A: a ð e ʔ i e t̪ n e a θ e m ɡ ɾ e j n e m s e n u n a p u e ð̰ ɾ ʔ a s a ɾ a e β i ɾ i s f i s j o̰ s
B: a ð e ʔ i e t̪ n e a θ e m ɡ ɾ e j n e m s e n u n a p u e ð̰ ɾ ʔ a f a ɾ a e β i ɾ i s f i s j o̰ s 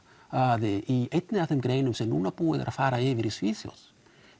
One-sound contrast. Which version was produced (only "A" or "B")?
B